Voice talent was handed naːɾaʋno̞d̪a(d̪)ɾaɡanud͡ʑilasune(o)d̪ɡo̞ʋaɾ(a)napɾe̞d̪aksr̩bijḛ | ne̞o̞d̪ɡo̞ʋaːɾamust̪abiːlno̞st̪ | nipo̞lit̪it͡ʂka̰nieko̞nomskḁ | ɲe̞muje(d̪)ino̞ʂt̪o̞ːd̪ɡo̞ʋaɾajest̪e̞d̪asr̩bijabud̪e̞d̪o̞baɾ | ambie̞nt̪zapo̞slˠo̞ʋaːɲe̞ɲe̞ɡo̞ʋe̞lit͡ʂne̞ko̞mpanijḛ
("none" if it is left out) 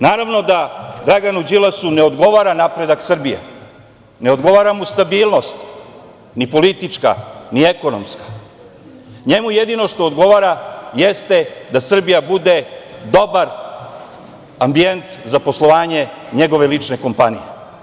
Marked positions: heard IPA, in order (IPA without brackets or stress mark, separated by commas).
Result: d̪, o, a, d̪